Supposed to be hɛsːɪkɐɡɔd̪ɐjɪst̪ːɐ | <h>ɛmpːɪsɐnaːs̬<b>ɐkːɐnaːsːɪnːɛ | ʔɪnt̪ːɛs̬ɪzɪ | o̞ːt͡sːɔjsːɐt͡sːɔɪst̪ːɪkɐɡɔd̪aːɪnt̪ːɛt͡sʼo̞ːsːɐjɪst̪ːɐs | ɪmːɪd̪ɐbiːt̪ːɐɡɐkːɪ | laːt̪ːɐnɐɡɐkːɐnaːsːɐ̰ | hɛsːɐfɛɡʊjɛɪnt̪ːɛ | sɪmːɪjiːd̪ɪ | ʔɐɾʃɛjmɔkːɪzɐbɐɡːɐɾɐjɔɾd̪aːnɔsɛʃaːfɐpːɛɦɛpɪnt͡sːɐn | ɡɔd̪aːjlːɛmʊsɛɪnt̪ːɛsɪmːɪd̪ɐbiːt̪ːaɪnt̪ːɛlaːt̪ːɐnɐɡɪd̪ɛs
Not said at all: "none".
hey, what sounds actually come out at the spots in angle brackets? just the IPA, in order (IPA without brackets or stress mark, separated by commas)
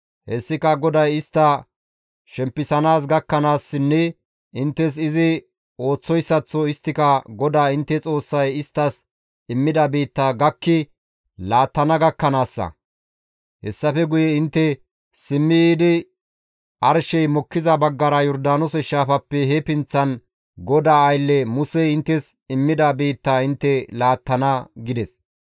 ʃ, ɡ